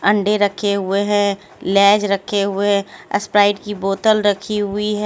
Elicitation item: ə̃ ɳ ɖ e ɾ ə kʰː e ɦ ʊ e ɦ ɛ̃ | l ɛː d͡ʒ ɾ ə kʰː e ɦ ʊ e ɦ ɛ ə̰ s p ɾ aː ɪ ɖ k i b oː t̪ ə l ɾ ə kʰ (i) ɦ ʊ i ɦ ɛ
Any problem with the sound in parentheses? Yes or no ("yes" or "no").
no